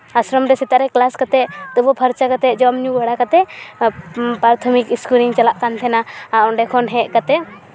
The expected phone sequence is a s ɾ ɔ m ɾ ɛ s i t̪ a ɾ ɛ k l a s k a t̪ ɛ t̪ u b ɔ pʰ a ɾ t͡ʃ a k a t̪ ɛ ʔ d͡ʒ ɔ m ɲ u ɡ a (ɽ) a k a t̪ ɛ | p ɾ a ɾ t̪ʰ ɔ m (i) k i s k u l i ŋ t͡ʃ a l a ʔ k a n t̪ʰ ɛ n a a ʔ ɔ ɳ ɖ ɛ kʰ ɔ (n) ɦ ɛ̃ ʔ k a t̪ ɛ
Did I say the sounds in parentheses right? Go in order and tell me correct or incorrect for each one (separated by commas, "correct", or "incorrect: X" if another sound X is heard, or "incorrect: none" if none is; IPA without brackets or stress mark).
correct, correct, correct